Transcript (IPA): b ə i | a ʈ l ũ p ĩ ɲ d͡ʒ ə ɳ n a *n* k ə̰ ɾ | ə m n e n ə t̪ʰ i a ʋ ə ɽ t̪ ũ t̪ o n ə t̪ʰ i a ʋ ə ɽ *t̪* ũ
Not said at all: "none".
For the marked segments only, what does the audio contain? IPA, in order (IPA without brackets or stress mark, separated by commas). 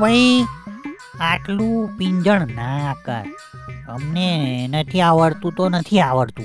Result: none, t̪